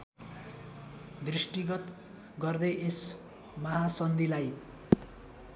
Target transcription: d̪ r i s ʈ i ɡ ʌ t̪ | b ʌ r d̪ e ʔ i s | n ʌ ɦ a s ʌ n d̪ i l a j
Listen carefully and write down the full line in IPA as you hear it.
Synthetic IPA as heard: d̪ r i s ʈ i ɡ ʌ t̪ | ɡ ʌ r d̪ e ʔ e s | m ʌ ɦ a s ʌ n d̪ i l a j